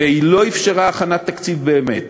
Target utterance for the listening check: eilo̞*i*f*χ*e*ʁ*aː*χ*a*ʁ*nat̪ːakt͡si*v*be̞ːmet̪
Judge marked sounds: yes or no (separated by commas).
yes, no, yes, yes, no, yes